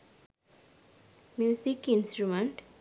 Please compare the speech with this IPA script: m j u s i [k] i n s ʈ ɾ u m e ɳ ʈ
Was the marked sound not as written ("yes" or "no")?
no